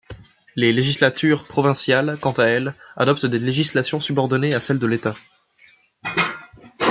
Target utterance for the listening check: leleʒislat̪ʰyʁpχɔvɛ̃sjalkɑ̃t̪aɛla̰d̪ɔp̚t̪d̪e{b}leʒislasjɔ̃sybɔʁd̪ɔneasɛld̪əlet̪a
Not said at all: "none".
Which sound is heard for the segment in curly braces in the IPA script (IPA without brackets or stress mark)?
none